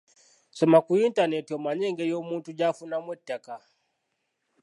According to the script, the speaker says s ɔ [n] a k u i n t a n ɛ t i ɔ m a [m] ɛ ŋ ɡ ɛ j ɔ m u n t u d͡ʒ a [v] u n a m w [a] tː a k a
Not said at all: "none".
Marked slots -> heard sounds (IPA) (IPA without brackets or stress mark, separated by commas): m, ɲ, f, ɛ